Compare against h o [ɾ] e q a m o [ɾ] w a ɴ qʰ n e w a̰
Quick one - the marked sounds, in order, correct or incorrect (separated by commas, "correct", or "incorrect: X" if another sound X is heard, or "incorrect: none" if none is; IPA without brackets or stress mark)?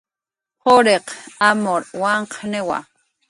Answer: correct, correct